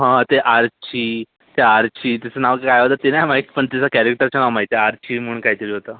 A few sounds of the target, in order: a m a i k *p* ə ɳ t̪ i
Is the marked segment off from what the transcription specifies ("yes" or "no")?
no